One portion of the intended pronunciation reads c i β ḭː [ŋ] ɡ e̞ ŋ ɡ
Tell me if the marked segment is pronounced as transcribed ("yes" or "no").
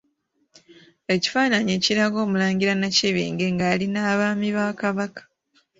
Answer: yes